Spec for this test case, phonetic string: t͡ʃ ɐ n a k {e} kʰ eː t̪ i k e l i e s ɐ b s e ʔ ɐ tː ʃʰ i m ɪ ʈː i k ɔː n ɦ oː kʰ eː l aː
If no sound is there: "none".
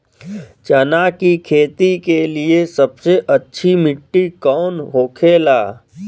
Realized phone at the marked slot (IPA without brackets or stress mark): i